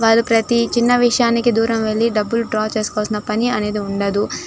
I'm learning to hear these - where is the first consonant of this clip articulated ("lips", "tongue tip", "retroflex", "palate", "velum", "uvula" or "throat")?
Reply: lips